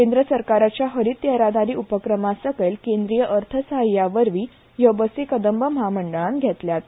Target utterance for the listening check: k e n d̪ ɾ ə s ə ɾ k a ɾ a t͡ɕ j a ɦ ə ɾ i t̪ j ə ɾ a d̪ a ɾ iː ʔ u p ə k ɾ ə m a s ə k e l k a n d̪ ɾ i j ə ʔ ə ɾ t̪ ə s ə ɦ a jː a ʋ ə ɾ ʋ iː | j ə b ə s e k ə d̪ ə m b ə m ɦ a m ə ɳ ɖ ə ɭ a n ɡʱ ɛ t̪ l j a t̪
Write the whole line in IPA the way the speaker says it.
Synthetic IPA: k e n d̪ ɾ ə s ə ɾ k a ɾ a t͡ɕ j a ɦ ə ɾ i t̪ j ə ɾ a d̪ a ɾ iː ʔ u p ə k ɾ ə m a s ə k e l k e n d̪ ɾ i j ə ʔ ə ɾ t̪ʰ ə s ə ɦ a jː a ʋ ə ɾ ʋ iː | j ə b ə s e k ə d̪ ə m b ə m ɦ a m ə ɳ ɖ ə ɭ a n ɡʱ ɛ t̪ l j a t̪